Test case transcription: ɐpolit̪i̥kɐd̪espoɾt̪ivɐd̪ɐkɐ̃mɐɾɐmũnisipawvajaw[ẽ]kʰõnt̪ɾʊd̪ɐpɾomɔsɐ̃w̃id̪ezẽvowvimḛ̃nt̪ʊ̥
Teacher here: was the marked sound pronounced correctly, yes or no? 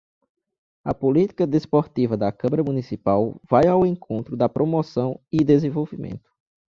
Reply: yes